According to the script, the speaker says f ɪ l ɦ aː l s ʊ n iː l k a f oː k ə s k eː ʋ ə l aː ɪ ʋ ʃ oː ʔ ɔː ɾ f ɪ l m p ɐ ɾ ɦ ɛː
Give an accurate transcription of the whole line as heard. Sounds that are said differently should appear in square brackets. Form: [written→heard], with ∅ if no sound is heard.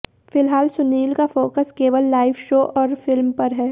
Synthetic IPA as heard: f ɪ l ɦ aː l s ʊ n iː l k a f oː k ə s k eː ʋ ə [l→lː] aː ɪ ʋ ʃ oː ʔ ɔː ɾ f ɪ l m p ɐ ɾ ɦ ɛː

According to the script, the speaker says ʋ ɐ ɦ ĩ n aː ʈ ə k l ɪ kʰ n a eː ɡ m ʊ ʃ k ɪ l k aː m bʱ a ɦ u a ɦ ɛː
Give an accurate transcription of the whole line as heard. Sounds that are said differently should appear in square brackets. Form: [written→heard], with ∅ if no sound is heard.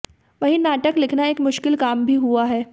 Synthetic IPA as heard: ʋ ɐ ɦ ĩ n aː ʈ ə k l ɪ kʰ n a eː [ɡ→k] m ʊ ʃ k ɪ l k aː m bʱ [a→i] ɦ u a ɦ ɛː

